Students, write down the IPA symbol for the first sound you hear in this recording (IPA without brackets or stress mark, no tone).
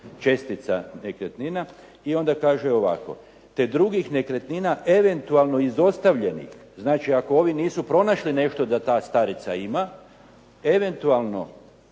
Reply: t͡ʃ